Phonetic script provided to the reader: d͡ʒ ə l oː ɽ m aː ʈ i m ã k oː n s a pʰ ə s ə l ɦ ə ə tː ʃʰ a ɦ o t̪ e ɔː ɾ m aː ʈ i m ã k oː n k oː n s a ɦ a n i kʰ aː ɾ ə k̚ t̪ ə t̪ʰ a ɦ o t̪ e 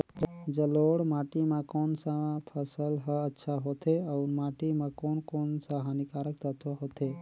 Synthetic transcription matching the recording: d͡ʒ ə l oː ɽ m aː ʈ i m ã k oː n s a pʰ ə s ə l ɦ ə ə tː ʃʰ a ɦ o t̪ e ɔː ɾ m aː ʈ i m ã k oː n k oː n s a ɦ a n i k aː ɾ ə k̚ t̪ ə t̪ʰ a ɦ o t̪ e